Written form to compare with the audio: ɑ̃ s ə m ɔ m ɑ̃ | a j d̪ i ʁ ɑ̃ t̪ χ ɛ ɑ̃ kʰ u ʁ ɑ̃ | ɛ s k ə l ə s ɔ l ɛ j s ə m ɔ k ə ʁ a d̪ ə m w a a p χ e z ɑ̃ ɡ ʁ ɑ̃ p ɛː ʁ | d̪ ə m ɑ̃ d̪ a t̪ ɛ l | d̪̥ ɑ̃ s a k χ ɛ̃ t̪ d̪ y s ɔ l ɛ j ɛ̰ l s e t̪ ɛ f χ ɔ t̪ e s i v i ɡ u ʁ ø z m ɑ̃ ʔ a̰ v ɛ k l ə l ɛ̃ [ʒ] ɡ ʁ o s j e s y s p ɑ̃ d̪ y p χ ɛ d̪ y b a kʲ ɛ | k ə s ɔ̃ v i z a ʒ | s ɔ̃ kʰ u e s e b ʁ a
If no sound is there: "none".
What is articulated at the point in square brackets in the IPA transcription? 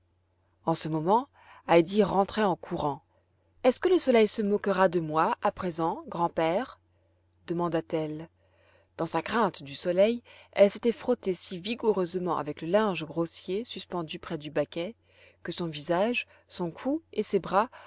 ʒ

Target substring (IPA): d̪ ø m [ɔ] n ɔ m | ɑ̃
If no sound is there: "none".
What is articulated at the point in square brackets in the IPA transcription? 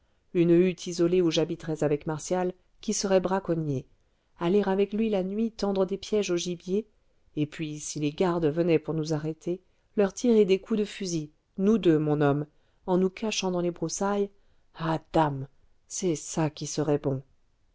ɔ̃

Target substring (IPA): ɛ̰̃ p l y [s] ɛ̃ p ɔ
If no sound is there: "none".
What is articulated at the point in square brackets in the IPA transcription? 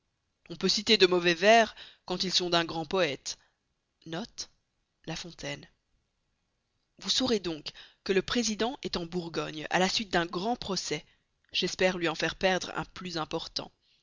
z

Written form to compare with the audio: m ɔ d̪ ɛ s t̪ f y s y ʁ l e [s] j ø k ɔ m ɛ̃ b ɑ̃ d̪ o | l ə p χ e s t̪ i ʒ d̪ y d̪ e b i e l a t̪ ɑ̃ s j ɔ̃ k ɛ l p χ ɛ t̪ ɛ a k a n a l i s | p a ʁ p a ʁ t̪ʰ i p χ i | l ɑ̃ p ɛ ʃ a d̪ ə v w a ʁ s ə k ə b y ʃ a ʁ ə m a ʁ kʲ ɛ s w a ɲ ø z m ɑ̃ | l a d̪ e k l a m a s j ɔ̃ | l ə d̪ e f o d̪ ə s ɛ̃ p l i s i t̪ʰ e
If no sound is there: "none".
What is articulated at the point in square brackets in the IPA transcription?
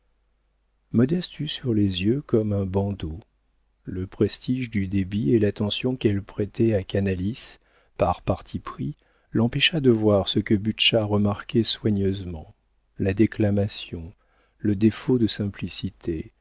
z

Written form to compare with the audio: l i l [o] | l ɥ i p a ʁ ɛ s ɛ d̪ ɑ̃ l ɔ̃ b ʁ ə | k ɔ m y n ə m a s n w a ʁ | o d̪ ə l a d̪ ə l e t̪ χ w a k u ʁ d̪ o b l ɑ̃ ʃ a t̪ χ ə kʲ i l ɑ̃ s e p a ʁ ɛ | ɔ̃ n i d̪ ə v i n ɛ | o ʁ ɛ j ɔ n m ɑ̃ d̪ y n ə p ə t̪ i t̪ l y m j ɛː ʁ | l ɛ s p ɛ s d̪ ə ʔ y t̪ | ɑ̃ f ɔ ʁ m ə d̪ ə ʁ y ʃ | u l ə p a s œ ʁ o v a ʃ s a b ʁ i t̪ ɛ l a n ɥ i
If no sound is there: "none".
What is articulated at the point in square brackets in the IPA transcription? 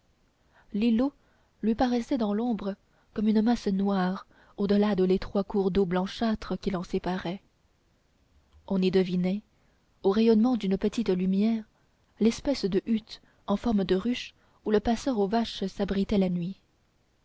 o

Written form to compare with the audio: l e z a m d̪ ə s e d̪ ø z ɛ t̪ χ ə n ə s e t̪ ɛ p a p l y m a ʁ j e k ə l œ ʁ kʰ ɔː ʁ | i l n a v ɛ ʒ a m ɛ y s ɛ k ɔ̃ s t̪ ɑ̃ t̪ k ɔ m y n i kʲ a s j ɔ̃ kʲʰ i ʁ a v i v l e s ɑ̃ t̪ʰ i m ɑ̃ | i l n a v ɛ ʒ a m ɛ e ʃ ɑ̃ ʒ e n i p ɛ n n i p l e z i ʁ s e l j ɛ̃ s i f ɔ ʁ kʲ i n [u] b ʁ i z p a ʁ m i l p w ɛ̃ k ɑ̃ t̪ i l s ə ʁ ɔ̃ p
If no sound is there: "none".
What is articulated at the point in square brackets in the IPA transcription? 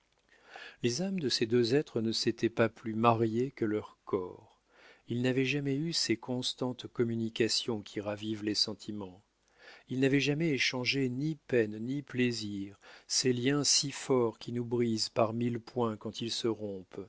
u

